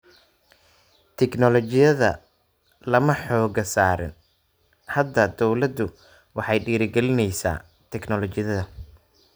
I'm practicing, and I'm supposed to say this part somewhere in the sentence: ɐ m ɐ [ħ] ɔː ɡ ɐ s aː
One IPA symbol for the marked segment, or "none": ħ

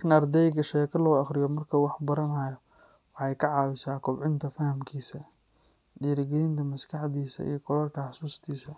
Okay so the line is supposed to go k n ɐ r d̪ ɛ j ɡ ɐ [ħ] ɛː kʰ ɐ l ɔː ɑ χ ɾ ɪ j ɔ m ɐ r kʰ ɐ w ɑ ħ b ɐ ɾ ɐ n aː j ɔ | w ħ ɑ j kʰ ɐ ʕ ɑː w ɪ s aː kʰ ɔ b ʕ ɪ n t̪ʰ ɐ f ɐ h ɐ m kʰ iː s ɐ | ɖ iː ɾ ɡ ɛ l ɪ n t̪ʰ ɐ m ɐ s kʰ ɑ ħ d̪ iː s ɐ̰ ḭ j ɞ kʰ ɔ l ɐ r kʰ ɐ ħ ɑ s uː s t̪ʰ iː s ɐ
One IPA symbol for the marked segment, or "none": ʃ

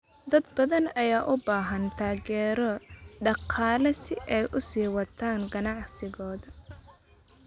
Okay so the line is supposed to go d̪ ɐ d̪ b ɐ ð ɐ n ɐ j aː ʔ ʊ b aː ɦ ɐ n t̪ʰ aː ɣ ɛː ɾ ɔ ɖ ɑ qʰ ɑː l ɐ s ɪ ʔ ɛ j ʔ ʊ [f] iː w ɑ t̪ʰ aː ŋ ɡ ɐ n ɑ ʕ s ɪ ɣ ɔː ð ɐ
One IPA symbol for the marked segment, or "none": s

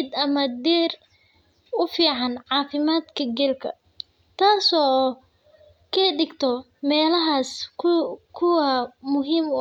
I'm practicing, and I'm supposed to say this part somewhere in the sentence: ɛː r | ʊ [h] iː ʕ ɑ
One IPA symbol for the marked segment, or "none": f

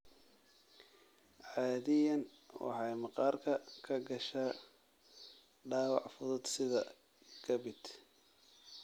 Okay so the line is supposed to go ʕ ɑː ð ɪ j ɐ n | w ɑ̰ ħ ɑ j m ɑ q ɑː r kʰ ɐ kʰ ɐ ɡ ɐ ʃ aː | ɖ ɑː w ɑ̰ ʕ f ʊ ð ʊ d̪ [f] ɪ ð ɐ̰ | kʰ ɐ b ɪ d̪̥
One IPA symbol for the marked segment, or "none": s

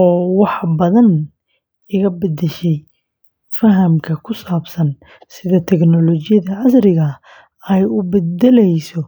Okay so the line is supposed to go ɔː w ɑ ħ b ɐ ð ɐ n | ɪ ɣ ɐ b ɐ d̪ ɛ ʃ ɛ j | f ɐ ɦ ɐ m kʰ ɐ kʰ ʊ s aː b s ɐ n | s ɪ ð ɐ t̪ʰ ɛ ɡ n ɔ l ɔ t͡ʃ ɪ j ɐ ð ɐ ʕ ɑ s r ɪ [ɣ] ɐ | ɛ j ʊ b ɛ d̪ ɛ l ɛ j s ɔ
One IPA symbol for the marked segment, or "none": ɣ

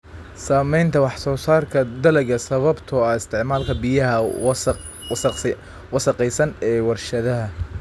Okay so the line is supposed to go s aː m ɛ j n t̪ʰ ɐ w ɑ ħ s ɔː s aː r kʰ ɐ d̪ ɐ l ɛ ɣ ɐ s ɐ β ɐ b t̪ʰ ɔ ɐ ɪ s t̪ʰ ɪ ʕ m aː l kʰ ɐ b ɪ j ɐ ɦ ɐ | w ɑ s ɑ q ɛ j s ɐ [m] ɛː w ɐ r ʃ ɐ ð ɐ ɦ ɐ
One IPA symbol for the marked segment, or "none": n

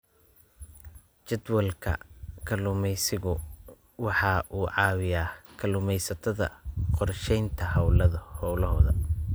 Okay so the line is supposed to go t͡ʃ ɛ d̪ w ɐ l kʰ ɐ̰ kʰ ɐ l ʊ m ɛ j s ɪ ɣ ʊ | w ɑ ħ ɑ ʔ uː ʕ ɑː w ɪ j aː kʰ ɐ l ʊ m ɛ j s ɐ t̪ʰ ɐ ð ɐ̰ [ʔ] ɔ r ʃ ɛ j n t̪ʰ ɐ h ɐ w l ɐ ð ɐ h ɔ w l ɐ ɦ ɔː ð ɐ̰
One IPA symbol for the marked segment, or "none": q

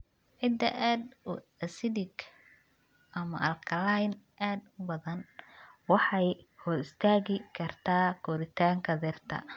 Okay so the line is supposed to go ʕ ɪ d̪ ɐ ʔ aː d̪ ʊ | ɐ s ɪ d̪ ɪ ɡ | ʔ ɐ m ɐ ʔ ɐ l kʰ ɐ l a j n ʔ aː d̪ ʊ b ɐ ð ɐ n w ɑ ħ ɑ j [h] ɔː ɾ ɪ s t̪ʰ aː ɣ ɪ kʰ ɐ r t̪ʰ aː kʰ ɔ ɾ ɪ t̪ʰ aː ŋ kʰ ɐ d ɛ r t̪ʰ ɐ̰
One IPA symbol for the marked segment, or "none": h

